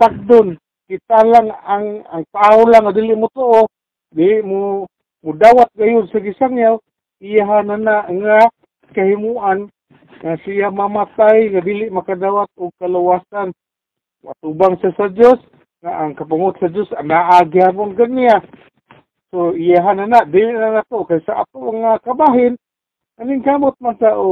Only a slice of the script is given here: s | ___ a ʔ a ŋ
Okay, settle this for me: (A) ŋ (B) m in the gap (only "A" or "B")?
A